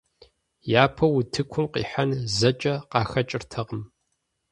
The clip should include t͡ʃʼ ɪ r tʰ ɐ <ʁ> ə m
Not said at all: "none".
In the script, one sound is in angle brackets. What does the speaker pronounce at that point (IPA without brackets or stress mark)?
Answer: ʁ